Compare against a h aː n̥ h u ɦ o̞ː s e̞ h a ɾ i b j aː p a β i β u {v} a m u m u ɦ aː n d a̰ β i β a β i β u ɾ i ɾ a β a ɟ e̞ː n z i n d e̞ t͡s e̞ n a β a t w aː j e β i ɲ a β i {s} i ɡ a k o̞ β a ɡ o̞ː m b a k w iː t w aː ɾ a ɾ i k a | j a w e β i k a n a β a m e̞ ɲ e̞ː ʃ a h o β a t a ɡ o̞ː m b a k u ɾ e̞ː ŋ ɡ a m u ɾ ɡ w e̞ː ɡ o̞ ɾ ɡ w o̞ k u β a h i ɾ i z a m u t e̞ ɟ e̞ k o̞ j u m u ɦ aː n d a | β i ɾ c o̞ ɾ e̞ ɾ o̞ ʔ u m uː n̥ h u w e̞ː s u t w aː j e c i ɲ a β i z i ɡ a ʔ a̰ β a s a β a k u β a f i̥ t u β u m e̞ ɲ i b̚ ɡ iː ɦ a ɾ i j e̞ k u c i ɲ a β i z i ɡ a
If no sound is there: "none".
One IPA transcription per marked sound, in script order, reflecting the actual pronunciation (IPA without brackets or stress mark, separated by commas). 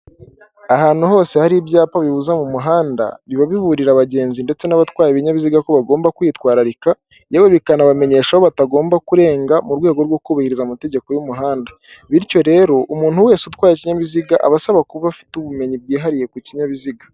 z, z